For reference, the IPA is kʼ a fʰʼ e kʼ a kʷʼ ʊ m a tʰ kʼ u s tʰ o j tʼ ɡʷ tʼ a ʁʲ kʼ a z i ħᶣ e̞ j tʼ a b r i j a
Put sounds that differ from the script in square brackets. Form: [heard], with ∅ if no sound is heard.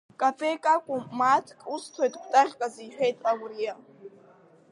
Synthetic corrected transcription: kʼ a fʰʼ e kʼ a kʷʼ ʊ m a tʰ kʼ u s tʰ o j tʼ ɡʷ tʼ a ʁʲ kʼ a z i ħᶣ e̞ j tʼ a [w] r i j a